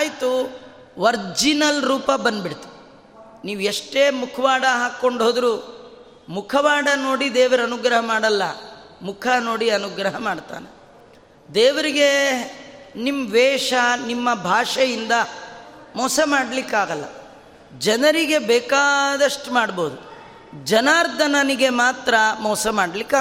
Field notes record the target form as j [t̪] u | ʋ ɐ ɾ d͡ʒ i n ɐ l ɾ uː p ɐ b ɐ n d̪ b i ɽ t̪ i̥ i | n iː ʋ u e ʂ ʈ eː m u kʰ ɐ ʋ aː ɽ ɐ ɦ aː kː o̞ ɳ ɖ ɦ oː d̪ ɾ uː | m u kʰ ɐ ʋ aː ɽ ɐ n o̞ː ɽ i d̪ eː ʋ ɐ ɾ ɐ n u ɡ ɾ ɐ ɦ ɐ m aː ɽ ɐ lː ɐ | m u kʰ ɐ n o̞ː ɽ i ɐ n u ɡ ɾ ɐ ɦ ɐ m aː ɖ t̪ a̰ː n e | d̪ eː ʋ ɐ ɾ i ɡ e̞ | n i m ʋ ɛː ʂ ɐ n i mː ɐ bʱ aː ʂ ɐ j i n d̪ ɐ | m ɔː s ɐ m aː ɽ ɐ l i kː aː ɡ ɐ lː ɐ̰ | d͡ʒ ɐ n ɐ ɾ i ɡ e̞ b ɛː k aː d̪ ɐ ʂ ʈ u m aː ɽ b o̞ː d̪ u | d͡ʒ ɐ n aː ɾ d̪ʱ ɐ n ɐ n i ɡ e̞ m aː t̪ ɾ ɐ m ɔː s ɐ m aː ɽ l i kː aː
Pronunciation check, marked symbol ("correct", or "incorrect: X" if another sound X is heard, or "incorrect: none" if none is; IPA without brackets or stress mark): correct